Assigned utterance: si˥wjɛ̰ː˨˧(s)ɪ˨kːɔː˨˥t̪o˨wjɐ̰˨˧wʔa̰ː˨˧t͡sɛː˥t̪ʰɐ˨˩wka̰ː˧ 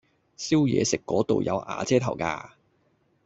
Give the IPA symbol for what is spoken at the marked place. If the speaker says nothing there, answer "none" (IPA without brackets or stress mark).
s